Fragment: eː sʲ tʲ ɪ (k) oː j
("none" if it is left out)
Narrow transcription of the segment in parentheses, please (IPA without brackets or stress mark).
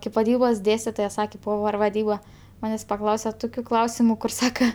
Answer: t